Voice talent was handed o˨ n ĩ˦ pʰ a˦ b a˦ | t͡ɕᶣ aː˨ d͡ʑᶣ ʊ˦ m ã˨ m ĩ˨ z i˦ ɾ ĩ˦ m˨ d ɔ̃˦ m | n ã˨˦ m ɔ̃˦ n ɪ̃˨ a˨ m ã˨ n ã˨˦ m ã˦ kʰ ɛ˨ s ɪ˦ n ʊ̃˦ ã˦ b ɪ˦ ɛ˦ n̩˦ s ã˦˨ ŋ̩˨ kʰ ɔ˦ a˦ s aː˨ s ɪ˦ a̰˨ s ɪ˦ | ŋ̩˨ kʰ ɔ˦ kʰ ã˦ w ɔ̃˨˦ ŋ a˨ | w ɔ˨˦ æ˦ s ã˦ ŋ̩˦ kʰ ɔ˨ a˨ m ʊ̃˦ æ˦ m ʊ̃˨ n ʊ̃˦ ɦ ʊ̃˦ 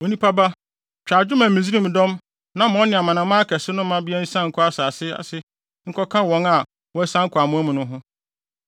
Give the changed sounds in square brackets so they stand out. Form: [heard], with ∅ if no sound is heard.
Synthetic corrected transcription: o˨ n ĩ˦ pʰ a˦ b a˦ | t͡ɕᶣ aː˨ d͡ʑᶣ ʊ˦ m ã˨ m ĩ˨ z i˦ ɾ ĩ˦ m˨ d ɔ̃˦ m | n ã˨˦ m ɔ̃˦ n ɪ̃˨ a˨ m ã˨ n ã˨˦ m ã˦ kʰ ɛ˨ s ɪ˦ n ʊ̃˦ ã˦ b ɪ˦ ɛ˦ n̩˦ s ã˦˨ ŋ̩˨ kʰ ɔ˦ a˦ s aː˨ s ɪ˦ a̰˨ s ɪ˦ | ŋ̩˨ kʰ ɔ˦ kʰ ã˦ w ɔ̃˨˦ ŋ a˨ | w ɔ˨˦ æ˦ s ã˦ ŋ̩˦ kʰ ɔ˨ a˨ m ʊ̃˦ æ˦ m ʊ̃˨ n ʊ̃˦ ɦ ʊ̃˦